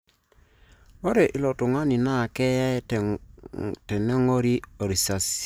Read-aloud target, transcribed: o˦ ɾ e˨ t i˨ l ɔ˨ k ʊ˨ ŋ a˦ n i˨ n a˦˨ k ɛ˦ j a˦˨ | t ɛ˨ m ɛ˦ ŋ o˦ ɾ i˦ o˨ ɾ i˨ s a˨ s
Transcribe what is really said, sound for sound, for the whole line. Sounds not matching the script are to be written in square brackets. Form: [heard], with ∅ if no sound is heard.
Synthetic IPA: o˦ ɾ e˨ [ʔ] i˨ l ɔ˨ [t] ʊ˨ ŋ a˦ n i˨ n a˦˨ k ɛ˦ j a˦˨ | t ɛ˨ [n] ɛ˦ ŋ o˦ ɾ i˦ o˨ ɾ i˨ s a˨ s